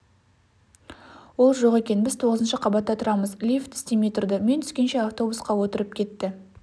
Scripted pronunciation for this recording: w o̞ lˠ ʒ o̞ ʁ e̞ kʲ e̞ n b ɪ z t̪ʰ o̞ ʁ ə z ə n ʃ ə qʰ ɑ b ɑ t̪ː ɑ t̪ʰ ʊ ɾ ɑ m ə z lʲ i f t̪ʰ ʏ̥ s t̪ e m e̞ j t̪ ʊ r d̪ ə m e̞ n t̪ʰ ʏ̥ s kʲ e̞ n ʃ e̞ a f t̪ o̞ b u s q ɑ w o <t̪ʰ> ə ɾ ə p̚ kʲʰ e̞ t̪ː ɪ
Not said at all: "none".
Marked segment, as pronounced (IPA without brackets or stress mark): t̪